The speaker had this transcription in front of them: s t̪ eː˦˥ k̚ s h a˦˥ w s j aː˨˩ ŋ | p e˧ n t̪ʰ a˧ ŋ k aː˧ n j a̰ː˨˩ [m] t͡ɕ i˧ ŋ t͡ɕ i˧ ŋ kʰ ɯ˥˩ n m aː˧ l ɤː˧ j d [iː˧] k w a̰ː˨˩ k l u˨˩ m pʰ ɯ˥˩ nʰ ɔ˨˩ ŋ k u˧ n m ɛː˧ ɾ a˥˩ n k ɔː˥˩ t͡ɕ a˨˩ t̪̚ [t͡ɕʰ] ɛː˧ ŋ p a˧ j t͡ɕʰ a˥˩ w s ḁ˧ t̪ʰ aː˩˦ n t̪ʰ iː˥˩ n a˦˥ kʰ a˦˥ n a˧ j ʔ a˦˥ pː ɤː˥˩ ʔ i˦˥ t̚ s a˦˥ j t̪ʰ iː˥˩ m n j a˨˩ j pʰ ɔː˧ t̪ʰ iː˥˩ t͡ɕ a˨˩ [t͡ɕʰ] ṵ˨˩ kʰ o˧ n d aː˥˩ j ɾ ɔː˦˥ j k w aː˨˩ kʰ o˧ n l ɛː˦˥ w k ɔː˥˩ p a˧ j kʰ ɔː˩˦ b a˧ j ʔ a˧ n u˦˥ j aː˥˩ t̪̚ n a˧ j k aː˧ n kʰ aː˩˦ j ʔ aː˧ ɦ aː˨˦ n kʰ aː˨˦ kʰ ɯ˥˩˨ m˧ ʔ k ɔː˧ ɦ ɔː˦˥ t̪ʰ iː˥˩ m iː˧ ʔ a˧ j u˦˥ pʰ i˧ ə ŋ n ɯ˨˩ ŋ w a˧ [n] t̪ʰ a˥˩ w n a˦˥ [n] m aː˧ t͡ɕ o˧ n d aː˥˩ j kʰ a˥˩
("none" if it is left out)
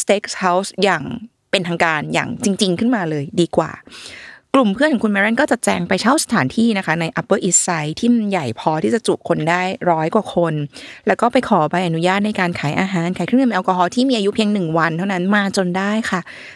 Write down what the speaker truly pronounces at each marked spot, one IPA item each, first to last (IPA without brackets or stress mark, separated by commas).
ŋ, iː˧, t͡ɕ, t͡ɕ, n, n